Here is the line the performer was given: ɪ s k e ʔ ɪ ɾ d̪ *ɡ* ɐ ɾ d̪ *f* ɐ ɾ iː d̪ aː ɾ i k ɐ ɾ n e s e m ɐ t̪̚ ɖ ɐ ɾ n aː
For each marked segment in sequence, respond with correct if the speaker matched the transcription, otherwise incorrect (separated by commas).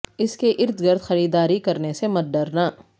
correct, incorrect